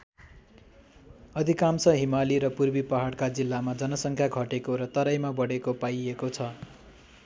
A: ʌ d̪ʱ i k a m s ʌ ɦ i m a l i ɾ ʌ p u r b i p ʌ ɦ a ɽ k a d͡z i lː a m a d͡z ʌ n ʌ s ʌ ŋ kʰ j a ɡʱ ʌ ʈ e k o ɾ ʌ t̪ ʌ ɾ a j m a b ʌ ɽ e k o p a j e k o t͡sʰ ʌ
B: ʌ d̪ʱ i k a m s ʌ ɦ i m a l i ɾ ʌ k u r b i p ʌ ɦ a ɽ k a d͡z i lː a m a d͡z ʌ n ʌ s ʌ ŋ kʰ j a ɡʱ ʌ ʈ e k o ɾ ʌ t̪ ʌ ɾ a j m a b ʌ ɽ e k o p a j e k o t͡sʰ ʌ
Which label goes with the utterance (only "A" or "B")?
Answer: A